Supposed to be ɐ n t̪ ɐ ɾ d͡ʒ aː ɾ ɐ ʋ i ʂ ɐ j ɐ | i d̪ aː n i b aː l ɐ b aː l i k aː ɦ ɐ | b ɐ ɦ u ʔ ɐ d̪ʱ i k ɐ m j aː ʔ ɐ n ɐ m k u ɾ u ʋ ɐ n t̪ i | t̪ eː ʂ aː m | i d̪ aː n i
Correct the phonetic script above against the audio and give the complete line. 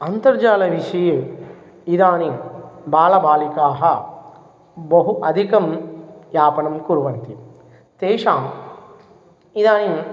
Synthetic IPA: ɐ n t̪ ɐ ɾ d͡ʒ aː l ɐ ʋ i ʂ ɐ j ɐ | i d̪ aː n i b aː l ɐ b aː l i k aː ɦ ɐ | b ɐ ɦ u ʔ ɐ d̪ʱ i k ɐ m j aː p ɐ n ɐ m k u ɾ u ʋ ɐ n t̪ i | t̪ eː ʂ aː m | i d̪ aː n i

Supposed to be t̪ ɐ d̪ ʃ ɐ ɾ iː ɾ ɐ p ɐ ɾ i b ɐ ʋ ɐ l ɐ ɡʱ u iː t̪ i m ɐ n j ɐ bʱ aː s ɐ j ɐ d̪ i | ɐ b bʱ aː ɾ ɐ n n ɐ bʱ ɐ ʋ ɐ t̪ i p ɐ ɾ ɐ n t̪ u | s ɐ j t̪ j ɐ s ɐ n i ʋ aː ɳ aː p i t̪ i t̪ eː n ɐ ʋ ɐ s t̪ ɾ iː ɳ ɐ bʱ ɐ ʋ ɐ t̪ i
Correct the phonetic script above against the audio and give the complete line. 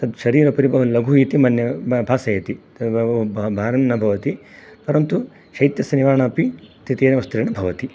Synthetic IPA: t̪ ɐ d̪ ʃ ɐ ɾ iː ɾ ɐ p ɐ ɾ i b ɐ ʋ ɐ l ɐ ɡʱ u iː t̪ i m ɐ n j ɐ bʱ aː s ɐ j ɐ t̪ i | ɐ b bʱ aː ɾ ɐ n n ɐ bʱ ɐ ʋ ɐ t̪ i p ɐ ɾ ɐ n t̪ u | ʃ ɐ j t̪ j ɐ s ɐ n i ʋ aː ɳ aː p i t̪ i t̪ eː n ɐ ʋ ɐ s t̪ ɾ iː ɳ ɐ bʱ ɐ ʋ ɐ t̪ i

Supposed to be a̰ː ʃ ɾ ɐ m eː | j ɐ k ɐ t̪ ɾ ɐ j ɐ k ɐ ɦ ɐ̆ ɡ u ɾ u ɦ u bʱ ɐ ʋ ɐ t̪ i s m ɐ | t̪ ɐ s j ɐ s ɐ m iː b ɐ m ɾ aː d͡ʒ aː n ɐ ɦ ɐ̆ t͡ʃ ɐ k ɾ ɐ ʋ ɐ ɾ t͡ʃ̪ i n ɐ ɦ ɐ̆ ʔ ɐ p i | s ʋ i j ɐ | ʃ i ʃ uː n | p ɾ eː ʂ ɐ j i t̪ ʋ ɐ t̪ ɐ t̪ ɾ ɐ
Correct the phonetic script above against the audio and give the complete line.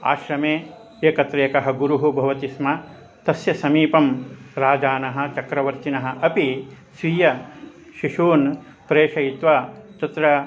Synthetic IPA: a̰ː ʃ ɾ ɐ m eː | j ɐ k ɐ t̪ ɾ ɐ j ɐ k ɐ ɦ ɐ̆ ɡ u ɾ u ɦ u bʱ ɐ ʋ ɐ t̪ i s m ɐ | t̪ ɐ s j ɐ s ɐ m iː p ɐ m ɾ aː d͡ʒ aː n ɐ ɦ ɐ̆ t͡ʃ ɐ k ɾ ɐ ʋ ɐ ɾ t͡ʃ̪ i n ɐ ɦ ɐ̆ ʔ ɐ p i | s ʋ i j ɐ | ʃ i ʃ uː n | p ɾ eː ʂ ɐ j i t̪ ʋ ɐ t̪ ɐ t̪ ɾ ɐ

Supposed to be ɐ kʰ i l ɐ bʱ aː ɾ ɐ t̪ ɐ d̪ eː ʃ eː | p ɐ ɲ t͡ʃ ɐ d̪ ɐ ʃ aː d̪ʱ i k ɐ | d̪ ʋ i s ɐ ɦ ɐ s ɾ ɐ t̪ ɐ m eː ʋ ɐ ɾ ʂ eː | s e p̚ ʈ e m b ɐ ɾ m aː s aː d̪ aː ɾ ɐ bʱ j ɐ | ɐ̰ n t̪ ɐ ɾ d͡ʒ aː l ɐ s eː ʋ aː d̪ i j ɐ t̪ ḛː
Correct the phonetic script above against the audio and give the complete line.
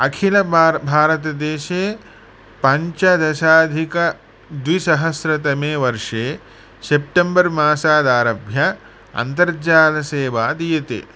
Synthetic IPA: ɐ kʰ i l ɐ bʱ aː ɾ ɐ t̪ ɐ d̪ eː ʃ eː | p ɐ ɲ t͡ʃ ɐ d̪ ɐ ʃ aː d̪ʱ i k ɐ | d̪ ʋ i s ɐ ɦ ɐ s ɾ ɐ t̪ ɐ m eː ʋ ɐ ɾ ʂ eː | s e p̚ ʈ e m b ɐ ɾ m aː s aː d̪ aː ɾ ɐ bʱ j ɐ | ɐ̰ n t̪ ɐ ɾ d͡ʒ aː l ɐ s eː ʋ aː d̪ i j ɐ t̪ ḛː

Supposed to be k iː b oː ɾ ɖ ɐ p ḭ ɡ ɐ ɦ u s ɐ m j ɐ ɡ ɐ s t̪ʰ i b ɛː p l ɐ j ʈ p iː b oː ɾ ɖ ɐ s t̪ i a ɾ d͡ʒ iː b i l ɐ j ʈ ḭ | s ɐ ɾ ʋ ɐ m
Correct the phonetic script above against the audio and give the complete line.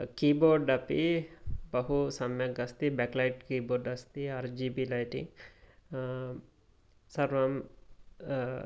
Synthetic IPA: k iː b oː ɾ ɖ ɐ p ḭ b ɐ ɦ u s ɐ m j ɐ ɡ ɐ s t̪ i b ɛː k l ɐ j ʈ k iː b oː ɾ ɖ ɐ s t̪ i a ɾ d͡ʒ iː b i l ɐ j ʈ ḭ | s ɐ ɾ ʋ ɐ m

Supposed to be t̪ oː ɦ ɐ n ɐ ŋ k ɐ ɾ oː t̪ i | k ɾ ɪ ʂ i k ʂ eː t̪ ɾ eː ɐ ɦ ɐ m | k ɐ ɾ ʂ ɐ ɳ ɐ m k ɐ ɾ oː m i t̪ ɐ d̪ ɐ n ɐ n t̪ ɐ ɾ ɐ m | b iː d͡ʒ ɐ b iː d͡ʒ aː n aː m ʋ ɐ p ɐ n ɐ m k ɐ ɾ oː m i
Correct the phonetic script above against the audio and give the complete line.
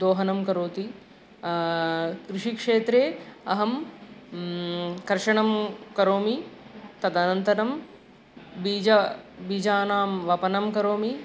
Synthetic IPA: d̪ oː ɦ ɐ n ɐ m k ɐ ɾ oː t̪ i | k ɾ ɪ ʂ i k ʂ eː t̪ ɾ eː ɐ ɦ ɐ m | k ɐ ɾ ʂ ɐ ɳ ɐ m k ɐ ɾ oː m i t̪ ɐ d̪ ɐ n ɐ n t̪ ɐ ɾ ɐ m | b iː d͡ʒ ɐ b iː d͡ʒ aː n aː m ʋ ɐ p ɐ n ɐ m k ɐ ɾ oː m i

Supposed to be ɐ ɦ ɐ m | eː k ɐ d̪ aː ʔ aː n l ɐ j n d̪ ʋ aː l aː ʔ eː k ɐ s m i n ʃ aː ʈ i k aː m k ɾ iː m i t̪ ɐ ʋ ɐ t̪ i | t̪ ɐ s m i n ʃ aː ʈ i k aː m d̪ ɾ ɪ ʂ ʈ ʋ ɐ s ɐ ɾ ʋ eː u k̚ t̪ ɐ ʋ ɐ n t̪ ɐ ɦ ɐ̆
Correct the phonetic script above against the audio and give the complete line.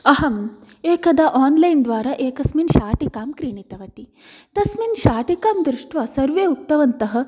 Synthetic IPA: ɐ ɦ ɐ m | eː k ɐ d̪ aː ʔ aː n l ɐ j n d̪ ʋ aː ɾ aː ʔ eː k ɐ s m i n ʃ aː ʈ i k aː m k ɾ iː ɳ i t̪ ɐ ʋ ɐ t̪ i | t̪ ɐ s m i n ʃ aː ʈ i k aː m d̪ ɾ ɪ ʂ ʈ ʋ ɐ s ɐ ɾ ʋ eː u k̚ t̪ ɐ ʋ ɐ n t̪ ɐ ɦ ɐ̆

